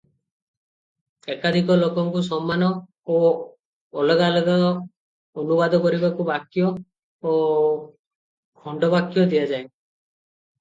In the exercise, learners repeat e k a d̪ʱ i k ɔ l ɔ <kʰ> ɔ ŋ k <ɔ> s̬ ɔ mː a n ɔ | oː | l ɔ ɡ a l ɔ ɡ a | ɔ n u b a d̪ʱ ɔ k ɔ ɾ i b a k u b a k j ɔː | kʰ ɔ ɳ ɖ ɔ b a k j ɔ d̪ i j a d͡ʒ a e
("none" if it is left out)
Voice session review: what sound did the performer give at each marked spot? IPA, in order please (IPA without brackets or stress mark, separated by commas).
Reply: k, u